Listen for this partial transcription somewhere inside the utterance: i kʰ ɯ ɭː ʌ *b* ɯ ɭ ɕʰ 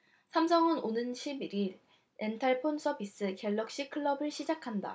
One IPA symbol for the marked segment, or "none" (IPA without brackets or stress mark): b